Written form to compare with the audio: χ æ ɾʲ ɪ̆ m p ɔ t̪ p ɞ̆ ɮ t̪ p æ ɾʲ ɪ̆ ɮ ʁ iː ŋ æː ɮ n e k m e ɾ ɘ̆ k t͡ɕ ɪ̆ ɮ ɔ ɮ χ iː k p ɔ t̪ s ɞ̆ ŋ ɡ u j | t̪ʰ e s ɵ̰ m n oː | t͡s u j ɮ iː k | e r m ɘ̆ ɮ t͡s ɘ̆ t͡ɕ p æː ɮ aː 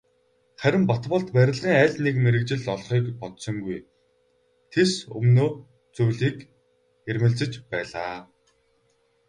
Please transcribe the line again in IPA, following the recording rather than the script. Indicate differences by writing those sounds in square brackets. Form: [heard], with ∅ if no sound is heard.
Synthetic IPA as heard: χ æ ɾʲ ɪ̆ m p ɔ t̪ p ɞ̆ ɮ t̪ p æ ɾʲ ɪ̆ ɮ ʁ iː ŋ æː ɮ n e k m e ɾ ɘ̆ k t͡ɕ ɪ̆ ɮ ɔ ɮ χ iː k p ɔ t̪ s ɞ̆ ŋ ɡ u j | t̪ʰ e s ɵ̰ m n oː | t͡s u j ɮ iː k | e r m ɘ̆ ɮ t͡s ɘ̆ t͡ɕ p æː ɮ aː